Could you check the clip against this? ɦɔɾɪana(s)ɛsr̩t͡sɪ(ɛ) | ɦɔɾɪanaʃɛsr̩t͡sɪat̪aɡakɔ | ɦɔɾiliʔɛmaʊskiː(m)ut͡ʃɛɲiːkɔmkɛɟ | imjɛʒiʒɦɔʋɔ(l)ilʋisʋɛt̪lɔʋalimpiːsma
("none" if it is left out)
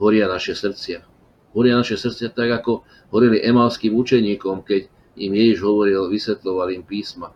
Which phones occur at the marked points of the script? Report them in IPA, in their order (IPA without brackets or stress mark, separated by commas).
ʃ, a, m, ɾ